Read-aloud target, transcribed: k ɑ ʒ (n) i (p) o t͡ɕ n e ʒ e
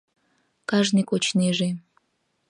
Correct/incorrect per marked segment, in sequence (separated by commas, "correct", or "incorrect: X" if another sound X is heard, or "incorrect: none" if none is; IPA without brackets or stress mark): correct, incorrect: k